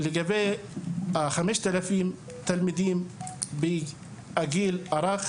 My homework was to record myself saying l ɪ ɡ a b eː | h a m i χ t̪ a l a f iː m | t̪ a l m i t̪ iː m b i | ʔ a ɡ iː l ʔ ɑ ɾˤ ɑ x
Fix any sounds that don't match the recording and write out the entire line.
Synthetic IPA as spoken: l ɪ ɡ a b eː | x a m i ʃ t̪ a l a f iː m | t̪ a l m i d̪ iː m b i | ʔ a ɡ iː l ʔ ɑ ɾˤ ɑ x